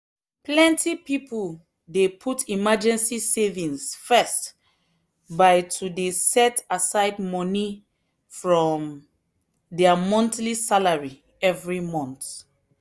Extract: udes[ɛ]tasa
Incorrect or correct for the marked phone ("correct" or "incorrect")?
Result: correct